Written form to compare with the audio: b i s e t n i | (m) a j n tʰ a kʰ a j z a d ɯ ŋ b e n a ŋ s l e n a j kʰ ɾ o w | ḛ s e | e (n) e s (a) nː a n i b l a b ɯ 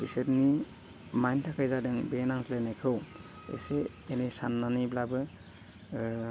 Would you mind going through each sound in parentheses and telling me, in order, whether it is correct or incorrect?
correct, correct, correct

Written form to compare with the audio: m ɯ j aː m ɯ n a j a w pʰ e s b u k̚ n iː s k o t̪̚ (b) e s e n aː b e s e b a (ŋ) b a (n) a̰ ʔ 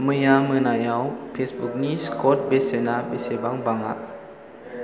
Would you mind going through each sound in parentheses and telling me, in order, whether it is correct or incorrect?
correct, correct, incorrect

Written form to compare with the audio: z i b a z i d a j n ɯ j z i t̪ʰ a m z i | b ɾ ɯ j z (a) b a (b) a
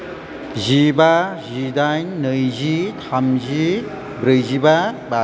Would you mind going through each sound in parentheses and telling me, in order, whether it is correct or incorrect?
incorrect, correct

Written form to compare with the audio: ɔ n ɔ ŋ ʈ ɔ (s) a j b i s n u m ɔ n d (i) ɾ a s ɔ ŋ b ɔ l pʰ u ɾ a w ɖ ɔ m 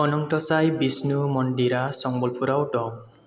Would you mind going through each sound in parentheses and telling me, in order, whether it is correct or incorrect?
correct, correct

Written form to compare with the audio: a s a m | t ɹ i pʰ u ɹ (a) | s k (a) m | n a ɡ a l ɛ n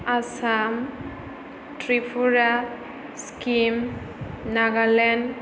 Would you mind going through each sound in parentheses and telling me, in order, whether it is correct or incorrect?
correct, incorrect

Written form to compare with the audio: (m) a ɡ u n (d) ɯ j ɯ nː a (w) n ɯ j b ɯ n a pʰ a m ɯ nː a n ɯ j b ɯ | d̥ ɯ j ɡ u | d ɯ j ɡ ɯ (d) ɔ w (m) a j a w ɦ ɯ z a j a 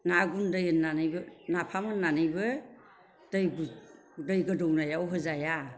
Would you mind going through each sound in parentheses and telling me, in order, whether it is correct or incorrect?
incorrect, correct, incorrect, correct, incorrect

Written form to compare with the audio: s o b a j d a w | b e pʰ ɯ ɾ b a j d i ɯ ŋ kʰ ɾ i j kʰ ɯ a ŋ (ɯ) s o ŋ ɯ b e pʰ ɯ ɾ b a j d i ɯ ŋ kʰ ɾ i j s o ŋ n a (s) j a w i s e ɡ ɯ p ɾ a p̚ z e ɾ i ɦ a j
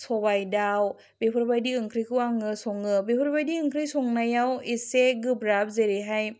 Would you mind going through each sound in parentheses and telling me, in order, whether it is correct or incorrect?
correct, incorrect

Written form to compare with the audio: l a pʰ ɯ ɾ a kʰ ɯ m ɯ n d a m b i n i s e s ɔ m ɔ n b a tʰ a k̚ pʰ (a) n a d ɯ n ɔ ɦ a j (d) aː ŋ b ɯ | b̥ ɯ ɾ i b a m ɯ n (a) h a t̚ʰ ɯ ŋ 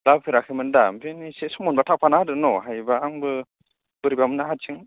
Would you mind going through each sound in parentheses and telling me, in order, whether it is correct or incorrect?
correct, incorrect, correct

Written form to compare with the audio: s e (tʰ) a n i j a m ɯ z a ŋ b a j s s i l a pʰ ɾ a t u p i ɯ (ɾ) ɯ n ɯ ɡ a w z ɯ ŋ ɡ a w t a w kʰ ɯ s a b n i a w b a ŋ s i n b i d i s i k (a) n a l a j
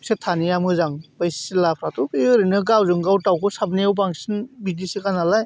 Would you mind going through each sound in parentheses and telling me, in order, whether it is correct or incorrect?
correct, correct, correct

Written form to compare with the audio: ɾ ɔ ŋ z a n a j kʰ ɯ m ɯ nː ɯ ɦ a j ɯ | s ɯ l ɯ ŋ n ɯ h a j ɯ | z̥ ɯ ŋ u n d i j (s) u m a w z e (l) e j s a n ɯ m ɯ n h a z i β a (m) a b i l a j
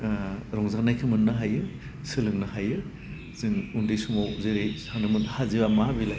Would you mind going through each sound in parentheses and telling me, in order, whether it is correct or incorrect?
correct, incorrect, correct

